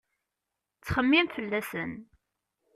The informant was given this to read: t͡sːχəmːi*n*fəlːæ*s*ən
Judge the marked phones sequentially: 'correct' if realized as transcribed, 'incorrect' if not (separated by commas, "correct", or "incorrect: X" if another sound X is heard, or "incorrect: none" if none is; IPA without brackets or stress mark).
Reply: incorrect: m, correct